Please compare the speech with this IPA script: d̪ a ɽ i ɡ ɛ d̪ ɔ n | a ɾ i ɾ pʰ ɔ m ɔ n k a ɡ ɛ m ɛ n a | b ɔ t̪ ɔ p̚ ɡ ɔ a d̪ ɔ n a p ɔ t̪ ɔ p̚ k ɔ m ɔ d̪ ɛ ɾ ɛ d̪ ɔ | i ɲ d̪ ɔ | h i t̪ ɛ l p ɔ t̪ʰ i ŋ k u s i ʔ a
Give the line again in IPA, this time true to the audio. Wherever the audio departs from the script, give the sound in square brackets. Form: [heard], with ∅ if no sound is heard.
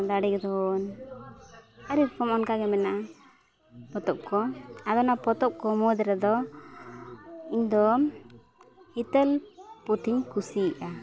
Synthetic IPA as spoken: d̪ a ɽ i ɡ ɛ d̪ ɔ n | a ɾ i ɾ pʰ ɔ m ɔ n k a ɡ ɛ m ɛ n a | [p] ɔ t̪ ɔ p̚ [k] ɔ a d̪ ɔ n a p ɔ t̪ ɔ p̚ k ɔ m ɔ d̪ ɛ ɾ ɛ d̪ ɔ | i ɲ d̪ ɔ | h i t̪ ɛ l p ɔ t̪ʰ i [ɲ] k u s i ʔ a